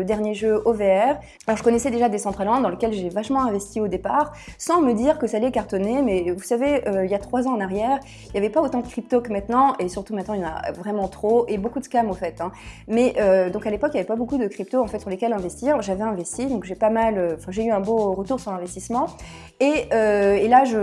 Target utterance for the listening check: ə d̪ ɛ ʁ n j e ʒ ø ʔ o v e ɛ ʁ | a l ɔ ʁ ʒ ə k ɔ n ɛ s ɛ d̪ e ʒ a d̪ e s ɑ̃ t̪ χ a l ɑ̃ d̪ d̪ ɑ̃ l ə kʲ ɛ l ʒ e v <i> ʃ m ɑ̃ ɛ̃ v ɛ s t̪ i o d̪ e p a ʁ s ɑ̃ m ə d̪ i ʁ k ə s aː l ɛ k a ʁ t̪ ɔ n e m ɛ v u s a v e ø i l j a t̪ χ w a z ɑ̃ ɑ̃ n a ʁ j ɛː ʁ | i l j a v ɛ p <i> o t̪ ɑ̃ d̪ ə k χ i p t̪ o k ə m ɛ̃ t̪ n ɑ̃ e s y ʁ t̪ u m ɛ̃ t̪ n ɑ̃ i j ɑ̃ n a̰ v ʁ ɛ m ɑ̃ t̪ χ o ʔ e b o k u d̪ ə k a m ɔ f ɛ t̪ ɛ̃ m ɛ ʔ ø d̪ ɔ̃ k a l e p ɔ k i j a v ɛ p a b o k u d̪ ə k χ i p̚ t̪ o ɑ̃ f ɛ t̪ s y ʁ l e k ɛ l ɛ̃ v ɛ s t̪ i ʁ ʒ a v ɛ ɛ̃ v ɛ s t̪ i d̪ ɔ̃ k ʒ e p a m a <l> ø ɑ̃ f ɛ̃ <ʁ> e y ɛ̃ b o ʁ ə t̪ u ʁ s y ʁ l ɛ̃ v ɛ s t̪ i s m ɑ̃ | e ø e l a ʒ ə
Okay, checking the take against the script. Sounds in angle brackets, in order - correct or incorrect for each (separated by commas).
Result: incorrect, incorrect, correct, incorrect